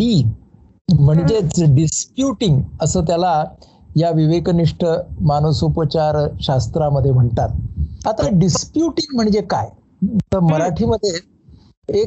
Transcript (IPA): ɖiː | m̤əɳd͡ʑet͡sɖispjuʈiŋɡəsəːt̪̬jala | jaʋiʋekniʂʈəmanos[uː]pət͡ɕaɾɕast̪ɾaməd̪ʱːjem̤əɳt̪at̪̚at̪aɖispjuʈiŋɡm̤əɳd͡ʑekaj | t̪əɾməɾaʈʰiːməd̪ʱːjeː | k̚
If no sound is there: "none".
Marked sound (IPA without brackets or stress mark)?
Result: u